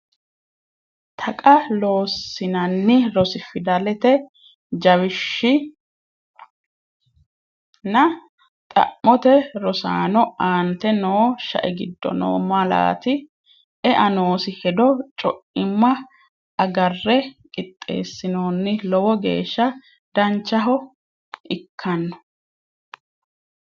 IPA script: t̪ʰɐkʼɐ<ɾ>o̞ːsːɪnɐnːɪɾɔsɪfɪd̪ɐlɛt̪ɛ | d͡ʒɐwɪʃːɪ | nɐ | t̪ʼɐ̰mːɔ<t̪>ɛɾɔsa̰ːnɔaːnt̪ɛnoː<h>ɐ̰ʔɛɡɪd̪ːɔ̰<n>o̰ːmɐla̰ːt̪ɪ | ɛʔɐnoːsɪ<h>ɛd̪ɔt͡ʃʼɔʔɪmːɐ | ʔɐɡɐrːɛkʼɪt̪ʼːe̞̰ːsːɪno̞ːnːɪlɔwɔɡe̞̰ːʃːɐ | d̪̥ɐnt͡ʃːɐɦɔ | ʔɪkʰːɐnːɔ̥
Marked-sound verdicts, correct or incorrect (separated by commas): incorrect, correct, incorrect, correct, correct